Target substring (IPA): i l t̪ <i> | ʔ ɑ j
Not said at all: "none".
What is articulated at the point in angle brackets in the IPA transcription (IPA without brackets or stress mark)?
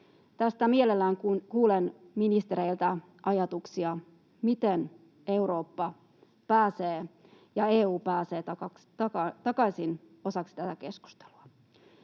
æ